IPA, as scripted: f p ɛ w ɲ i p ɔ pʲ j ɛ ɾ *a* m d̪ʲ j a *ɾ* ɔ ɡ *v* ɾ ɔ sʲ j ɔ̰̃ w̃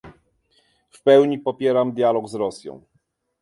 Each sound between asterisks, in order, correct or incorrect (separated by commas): correct, incorrect, incorrect